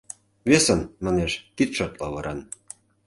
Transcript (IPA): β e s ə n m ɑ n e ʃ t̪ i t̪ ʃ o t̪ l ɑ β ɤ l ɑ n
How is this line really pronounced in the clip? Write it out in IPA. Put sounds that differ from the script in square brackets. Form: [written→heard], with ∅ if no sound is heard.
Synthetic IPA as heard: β e s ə n m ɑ n e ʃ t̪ i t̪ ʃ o t̪ l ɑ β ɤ [l→ɾ] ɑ n